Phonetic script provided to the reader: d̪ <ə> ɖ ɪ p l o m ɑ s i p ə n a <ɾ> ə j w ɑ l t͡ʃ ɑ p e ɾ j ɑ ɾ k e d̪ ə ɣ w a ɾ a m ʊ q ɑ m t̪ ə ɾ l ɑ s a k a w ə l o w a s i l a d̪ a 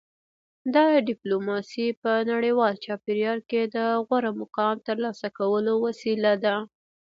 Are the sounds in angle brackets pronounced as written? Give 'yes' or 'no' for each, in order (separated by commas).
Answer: no, no